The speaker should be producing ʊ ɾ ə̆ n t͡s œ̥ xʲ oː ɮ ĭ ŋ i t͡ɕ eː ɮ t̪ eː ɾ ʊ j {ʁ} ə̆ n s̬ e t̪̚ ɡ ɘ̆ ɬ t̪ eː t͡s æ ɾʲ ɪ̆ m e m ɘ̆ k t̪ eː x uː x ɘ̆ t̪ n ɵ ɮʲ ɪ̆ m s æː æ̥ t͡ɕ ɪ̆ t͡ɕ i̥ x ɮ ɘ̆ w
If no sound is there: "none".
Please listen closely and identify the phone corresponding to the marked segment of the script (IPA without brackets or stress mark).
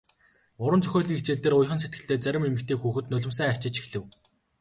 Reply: χ